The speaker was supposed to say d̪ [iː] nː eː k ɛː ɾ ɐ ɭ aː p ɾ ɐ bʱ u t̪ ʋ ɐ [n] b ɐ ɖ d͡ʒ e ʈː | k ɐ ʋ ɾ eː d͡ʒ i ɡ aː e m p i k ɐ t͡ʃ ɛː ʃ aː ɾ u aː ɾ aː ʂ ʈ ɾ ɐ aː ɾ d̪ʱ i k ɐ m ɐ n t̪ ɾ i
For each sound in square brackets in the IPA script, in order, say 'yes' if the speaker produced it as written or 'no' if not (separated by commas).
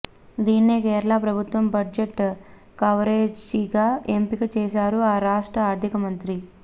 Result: yes, no